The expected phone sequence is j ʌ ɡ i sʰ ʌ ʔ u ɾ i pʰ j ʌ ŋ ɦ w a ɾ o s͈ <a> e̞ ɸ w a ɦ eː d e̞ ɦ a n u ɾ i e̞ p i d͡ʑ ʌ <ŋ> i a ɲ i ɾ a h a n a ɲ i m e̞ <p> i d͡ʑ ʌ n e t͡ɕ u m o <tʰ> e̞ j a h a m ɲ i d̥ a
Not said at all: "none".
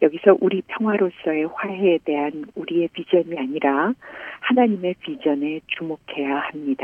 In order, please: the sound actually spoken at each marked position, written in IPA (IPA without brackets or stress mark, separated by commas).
ʌ, ɲ, p, kʰ